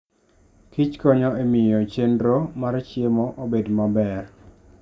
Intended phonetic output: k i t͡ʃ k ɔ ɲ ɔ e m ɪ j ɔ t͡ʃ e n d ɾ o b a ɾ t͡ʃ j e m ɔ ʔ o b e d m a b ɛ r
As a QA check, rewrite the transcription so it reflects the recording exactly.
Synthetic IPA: k i t͡ʃ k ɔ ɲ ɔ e m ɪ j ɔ t͡ʃ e n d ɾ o m a ɾ t͡ʃ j e m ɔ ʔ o b e d m a b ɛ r